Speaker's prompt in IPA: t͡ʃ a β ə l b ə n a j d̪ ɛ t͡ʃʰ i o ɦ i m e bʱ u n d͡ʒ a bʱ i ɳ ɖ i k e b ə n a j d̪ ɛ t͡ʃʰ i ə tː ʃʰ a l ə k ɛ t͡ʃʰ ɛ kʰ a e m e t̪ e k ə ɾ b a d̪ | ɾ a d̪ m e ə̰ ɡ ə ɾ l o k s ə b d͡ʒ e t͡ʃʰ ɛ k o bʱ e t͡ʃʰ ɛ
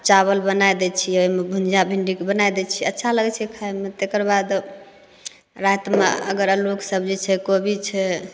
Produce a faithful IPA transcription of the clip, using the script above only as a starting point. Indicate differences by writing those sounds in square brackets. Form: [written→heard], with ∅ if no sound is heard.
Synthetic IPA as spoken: t͡ʃ a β ə l b ə n a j d̪ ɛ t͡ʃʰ i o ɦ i m e bʱ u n d͡ʒ a bʱ i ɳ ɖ i k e b ə n a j d̪ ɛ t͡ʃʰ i ə tː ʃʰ a l ə [k→ɡ] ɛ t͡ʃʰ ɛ kʰ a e m e t̪ e k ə ɾ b a d̪ | ɾ a [d̪→t̪] m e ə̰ ɡ ə ɾ l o k s ə b d͡ʒ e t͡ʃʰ ɛ k o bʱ [e→i] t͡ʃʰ ɛ

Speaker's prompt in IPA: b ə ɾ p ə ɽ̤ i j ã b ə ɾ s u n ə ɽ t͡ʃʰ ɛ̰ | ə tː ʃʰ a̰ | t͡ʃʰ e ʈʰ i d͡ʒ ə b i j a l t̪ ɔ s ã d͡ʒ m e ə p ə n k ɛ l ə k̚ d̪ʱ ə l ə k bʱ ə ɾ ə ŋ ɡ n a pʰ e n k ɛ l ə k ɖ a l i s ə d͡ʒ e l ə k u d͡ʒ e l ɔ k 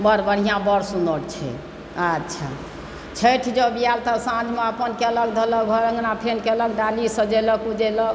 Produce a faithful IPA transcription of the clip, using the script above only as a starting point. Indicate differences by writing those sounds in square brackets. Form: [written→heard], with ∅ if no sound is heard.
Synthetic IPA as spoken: b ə ɾ [p→b] ə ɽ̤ i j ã b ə ɾ s u n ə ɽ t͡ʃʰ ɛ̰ | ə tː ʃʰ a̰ | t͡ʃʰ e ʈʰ i d͡ʒ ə b i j a l t̪ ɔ s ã d͡ʒ m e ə p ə n k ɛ l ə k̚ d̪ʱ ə l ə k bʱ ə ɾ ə ŋ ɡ n a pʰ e n k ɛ l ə k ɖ a l i s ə d͡ʒ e l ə k u d͡ʒ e l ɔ k

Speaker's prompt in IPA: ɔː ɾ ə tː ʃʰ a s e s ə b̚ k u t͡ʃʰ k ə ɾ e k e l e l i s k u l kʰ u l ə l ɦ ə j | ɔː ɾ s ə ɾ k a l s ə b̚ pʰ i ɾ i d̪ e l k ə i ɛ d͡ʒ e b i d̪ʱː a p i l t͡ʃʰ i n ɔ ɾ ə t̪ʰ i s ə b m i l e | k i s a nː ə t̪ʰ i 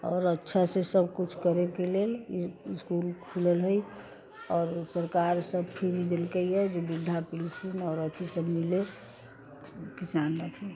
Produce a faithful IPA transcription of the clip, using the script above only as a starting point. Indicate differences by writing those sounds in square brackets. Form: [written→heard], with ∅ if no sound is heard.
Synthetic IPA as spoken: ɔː ɾ ə tː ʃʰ a s e s ə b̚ k u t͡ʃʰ k ə ɾ e k e l e l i s k u l kʰ u l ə l ɦ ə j | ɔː ɾ s ə ɾ k a [l→ɾ] s ə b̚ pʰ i ɾ i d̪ e l k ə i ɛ d͡ʒ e b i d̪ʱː a p i l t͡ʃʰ i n ɔ ɾ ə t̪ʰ i s ə b m i l e | k i s a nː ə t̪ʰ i

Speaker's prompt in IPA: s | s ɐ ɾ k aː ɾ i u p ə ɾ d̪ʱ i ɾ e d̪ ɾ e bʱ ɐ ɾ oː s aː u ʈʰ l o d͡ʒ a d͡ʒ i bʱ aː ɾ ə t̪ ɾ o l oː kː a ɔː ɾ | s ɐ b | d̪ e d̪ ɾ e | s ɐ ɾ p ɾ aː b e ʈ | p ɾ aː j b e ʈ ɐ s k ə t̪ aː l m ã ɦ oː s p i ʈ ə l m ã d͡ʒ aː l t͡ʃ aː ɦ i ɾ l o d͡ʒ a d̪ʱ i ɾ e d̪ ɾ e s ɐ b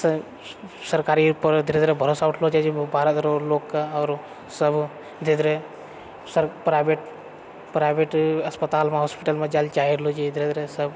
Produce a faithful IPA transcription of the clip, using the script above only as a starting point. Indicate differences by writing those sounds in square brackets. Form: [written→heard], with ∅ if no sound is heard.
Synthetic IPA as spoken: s | s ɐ ɾ k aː ɾ i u p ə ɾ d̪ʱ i ɾ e d̪ ɾ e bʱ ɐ ɾ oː s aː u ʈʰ l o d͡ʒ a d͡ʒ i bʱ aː ɾ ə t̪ ɾ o l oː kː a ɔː ɾ | s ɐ b | d̪ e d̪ ɾ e | s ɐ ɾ p ɾ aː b e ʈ | p ɾ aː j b e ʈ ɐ s [k→p] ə t̪ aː l m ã ɦ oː s p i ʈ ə l m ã d͡ʒ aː l t͡ʃ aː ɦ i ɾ l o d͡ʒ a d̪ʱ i ɾ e d̪ ɾ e s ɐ b

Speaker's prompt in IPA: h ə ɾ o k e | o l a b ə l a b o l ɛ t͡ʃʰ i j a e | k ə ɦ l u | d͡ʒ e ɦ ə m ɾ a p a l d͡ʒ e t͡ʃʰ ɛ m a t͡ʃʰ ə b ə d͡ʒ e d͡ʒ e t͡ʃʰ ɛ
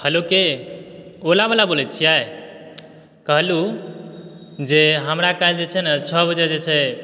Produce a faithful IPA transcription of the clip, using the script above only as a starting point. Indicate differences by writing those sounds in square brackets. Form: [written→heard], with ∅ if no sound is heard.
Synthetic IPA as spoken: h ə [ɾ→l] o k e | o l a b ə l a b o l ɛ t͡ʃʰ i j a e | k ə ɦ l u | d͡ʒ e ɦ ə m ɾ a [p→k] a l d͡ʒ e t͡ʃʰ ɛ [m→n] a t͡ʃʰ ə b ə d͡ʒ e d͡ʒ e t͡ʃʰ ɛ

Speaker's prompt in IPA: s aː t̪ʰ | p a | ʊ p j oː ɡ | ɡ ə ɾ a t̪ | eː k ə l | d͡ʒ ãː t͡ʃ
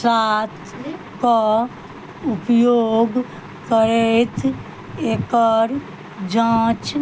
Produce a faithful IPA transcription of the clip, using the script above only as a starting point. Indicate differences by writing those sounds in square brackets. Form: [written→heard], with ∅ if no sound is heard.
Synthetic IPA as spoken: s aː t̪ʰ | [p→k] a | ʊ p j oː ɡ | [ɡ→k] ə ɾ [a→e] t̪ | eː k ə [l→ɾ] | d͡ʒ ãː t͡ʃ

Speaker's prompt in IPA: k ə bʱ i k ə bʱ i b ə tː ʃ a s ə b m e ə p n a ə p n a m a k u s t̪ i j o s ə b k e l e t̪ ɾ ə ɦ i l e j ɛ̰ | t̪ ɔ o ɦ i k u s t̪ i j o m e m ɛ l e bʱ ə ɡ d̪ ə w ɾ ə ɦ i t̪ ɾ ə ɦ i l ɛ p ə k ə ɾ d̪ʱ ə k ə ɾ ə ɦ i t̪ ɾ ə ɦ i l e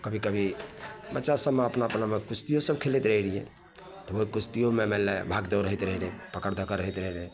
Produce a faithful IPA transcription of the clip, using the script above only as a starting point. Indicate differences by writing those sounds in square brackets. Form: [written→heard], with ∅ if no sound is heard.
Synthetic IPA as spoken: k ə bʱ i k ə bʱ i b ə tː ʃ a s ə b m e ə p n a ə p n a m [a→e] k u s t̪ i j o s ə b [k→kʰ] e l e t̪ ɾ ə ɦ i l [e→i] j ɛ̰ | t̪ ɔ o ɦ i k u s t̪ i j o m e m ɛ l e bʱ [ə→a] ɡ d̪ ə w ɾ ə ɦ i t̪ ɾ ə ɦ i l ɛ p ə k ə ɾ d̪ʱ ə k ə ɾ ə ɦ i t̪ ɾ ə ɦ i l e

